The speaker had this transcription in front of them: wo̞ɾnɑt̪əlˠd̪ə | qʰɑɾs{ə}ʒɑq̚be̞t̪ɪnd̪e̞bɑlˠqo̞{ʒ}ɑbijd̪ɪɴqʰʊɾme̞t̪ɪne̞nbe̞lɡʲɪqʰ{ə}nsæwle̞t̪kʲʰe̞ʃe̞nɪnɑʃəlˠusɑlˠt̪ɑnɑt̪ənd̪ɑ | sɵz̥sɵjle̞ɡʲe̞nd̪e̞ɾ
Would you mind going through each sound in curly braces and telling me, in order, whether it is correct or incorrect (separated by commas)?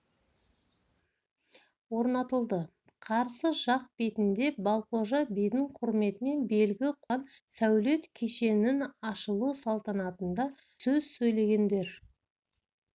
correct, correct, incorrect